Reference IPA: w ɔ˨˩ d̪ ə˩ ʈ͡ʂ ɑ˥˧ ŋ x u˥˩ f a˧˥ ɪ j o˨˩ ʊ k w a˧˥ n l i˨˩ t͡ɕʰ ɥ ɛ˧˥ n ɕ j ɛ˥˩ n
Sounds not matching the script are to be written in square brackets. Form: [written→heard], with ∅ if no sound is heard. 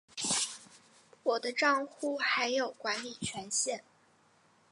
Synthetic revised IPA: w ɔ˨˩ d̪ [ə˩→ə˦] ʈ͡ʂ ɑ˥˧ ŋ x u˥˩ [f→x] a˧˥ ɪ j o˨˩ ʊ k w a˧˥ n l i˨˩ t͡ɕʰ ɥ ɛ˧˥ n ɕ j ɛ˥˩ n